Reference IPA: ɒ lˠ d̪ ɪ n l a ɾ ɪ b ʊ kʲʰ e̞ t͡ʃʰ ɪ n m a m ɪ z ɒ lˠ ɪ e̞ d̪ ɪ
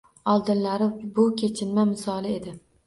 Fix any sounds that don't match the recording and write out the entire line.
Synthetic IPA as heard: ɒ lˠ d̪ ɪ n l a ɾ ɪ b ʊ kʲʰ e̞ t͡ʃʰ ɪ n m a m ɪ s ɒ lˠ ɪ e̞ d̪ ɪ